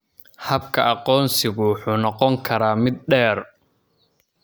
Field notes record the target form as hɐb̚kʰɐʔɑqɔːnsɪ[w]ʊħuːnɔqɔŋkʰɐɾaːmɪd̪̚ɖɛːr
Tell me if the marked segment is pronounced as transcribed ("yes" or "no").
no